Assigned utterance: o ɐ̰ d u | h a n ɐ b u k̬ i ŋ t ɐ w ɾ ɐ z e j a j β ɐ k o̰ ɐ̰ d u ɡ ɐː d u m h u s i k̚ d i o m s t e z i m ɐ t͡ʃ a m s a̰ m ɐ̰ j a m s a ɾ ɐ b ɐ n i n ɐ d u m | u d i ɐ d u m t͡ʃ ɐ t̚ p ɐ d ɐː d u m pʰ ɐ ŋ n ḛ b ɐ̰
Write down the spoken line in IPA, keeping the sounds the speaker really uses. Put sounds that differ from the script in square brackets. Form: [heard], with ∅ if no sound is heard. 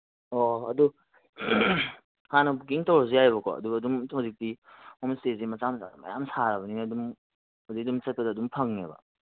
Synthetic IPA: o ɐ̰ d u | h a n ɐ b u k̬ i ŋ t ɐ w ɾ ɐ z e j a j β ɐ k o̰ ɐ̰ d u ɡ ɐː d u m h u [z] i k̚ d i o m s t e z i m ɐ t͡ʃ a m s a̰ m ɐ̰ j a m s a ɾ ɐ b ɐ n i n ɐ d u m | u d i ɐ d u m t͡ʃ ɐ t̚ p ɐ d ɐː d u m pʰ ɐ ŋ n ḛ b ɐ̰

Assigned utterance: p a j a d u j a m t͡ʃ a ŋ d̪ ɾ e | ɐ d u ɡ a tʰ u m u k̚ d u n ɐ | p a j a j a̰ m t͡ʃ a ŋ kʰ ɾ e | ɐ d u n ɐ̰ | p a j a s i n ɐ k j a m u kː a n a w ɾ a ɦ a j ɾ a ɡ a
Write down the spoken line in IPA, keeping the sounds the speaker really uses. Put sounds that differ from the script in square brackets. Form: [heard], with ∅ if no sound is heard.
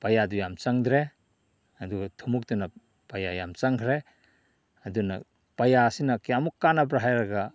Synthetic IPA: p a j a d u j a m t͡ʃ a ŋ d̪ ɾ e | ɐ d u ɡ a tʰ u m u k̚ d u n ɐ | p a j a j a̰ m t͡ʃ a ŋ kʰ ɾ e | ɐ d u n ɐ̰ | p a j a s i n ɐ k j a m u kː a n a [b] ɾ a ɦ a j ɾ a ɡ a

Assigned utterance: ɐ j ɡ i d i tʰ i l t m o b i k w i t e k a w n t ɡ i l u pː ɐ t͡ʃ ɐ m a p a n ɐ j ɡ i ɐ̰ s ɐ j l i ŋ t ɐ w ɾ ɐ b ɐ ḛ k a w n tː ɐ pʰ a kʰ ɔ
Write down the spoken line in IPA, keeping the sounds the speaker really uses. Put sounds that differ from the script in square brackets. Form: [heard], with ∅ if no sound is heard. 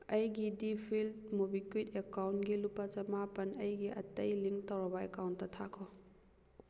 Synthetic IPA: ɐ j ɡ i d i [pʰ] i l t m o b i k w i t e k a w n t ɡ i l u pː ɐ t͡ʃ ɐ m a p [ɐ] n ɐ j ɡ i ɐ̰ [t] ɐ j l i ŋ t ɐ w ɾ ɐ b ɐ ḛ k a w n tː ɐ [tʰ] a kʰ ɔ

